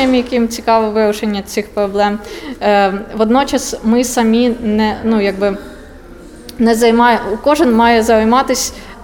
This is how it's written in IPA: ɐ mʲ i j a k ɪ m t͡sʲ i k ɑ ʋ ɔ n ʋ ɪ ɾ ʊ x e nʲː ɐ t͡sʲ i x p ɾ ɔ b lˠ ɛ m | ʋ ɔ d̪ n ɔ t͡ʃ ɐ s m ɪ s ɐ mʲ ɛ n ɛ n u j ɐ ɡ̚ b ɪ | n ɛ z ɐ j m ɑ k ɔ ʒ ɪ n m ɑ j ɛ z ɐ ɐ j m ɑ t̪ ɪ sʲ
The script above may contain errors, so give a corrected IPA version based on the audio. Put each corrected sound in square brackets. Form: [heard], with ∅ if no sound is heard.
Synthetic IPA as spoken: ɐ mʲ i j [ɐ] k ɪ m t͡sʲ i k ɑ ʋ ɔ [∅] ʋ ɪ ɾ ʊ [ʃ] e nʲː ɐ t͡sʲ i x p ɾ ɔ b lˠ ɛ m | ʋ ɔ d̪ n ɔ t͡ʃ ɐ s m ɪ s ɐ mʲ [i] n ɛ n u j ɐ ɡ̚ b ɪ | n ɛ z ɐ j m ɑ k ɔ ʒ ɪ n m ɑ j ɛ z ɐ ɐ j m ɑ t̪ ɪ sʲ